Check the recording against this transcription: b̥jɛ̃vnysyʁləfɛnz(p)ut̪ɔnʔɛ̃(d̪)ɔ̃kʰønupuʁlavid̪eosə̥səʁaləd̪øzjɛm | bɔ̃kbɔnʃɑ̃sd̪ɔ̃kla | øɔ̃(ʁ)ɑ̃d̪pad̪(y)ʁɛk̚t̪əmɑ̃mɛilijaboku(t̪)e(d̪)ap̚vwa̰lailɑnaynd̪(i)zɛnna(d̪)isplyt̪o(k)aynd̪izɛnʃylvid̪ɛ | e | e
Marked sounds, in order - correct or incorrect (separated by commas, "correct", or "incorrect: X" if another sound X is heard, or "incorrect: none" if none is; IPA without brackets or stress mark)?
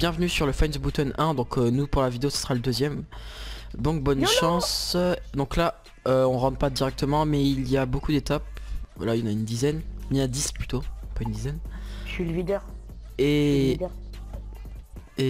incorrect: b, correct, correct, incorrect: i, incorrect: d̪, incorrect: t̪, correct, correct, incorrect: p